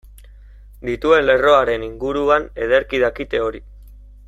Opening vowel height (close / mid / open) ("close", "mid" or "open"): close